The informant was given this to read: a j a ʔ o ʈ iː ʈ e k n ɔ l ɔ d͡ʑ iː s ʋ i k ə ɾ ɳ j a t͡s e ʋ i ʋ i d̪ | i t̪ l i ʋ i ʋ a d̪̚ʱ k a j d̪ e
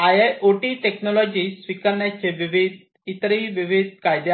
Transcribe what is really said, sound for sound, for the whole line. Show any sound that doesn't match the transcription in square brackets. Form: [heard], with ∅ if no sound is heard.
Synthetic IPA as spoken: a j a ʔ o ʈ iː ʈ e k n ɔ l ɔ d͡ʑ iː s ʋ i k ə ɾ ɳ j a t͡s e ʋ i ʋ i d̪ | i t̪ [ɾ] i ʋ i ʋ [i] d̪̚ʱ k a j d̪ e